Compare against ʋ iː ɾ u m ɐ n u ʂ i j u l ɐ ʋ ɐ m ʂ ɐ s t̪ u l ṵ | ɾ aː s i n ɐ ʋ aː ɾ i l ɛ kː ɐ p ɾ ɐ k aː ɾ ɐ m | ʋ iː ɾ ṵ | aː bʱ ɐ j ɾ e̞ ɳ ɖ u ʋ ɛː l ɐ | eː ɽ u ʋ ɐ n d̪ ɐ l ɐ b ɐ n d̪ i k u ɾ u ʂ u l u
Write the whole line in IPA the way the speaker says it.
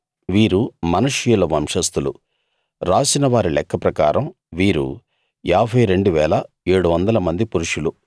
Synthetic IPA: ʋ iː ɾ u m ɐ n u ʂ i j u l ɐ ʋ ɐ m ʂ ɐ s t̪ u l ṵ | ɾ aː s i n ɐ ʋ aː ɾ i l ɛ kː ɐ p ɾ ɐ k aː ɾ ɐ m | ʋ iː ɾ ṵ | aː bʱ ɐ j ɾ e̞ ɳ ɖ u ʋ ɛː l ɐ | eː ɽ u ʋ ɐ n d̪ ɐ l ɐ m ɐ n d̪ i p u ɾ u ʂ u l u